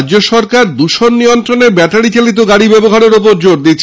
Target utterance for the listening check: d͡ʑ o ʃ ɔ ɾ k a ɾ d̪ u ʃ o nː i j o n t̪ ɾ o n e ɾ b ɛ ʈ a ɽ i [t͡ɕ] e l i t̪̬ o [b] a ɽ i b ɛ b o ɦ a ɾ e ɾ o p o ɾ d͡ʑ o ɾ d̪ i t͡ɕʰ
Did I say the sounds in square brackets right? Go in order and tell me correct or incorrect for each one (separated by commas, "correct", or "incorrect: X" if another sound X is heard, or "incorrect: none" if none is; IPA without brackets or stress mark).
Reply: correct, incorrect: ɡ